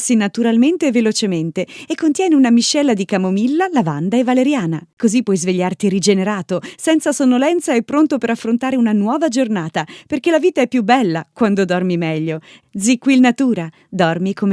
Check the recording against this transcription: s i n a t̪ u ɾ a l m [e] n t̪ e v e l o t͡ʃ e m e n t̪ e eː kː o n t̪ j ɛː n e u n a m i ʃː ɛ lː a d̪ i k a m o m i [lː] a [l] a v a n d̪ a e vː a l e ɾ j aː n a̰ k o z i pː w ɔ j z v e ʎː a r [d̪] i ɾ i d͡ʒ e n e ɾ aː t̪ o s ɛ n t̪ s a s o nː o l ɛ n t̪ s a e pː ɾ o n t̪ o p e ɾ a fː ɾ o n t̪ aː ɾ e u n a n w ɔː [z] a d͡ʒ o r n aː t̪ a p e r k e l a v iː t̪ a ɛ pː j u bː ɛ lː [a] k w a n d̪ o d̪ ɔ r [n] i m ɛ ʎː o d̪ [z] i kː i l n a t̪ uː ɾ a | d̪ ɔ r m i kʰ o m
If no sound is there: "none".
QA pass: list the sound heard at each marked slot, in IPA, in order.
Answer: e, lː, l, t̪, v, a, m, z

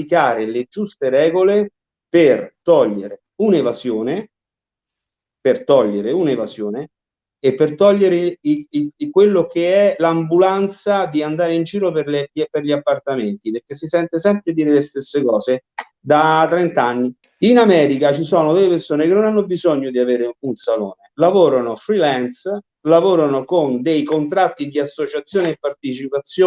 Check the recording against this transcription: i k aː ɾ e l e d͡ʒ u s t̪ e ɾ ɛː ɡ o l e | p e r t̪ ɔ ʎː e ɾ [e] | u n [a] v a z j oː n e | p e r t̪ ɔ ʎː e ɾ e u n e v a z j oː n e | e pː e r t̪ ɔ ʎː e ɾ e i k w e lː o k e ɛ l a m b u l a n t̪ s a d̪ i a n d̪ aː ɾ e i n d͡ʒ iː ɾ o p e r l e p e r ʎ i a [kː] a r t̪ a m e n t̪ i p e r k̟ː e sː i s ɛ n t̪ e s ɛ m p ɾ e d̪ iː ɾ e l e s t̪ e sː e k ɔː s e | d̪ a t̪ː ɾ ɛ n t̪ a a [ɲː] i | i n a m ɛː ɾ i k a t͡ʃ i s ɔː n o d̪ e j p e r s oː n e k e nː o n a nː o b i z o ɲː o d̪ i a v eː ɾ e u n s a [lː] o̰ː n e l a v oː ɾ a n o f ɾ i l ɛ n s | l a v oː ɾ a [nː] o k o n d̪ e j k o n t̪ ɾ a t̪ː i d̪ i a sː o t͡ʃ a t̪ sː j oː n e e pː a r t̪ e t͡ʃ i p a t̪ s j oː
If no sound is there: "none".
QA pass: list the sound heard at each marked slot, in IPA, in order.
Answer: e, e, pː, nː, l, n

